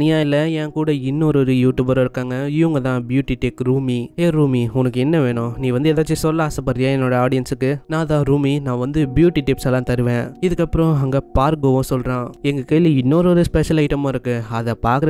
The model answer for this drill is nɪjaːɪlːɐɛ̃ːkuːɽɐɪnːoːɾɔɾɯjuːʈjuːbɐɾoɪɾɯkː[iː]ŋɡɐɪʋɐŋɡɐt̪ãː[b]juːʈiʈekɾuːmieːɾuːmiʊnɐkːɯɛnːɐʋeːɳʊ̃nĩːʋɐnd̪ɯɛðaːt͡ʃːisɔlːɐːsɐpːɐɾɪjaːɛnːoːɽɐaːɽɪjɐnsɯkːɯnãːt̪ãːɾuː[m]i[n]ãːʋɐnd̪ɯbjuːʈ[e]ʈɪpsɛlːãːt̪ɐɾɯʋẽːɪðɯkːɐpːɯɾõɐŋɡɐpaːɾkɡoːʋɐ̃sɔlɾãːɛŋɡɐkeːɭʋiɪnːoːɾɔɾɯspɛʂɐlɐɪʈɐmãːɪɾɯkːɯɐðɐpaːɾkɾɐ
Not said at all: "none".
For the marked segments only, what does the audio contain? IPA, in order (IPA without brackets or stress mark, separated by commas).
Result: aː, b, m, n, i